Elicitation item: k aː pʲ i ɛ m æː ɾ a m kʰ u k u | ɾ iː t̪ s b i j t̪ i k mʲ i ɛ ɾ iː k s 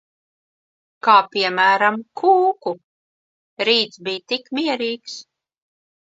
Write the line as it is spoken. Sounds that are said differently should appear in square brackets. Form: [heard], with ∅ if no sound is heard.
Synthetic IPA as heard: k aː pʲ i ɛ m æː ɾ a m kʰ [uː] k u | ɾ iː t̪ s b i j t̪ i k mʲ i ɛ ɾ iː k s